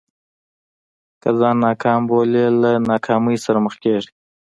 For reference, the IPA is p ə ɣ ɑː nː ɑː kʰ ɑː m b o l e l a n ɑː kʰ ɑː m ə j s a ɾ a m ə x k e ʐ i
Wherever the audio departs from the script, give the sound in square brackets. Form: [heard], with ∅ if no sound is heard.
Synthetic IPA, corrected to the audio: [k] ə [z] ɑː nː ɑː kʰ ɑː m b o l e l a n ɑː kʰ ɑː m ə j s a ɾ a m ə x k e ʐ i